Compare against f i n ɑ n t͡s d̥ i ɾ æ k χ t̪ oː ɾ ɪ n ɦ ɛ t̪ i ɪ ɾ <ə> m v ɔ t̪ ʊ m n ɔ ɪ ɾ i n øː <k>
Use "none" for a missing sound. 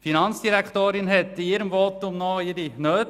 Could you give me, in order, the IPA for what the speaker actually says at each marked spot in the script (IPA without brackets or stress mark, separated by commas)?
ə, t